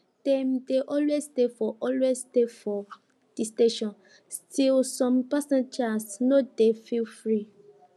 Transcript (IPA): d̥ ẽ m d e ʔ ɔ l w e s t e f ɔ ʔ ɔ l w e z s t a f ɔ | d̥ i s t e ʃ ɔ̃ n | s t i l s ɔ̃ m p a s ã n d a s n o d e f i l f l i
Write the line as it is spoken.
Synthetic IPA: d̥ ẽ m d e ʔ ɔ l w e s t e f ɔ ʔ ɔ l w e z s t e f ɔ | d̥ i s t e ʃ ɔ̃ n | s t i l s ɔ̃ m p a s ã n d͡ʒ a s n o d e f i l f ɹ i